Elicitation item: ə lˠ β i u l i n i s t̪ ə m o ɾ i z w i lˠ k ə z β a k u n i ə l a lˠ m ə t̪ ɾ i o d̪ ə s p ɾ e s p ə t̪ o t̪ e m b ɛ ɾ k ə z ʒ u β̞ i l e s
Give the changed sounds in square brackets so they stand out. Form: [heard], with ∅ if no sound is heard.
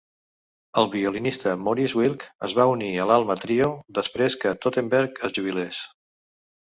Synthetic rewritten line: ə lˠ β i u l i n i s t̪ ə m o ɾ i z w i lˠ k ə z β a [∅] u n i ə l a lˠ m ə t̪ ɾ i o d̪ ə s p ɾ e s [k] ə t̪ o t̪ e m b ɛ ɾ k ə z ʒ u β̞ i l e s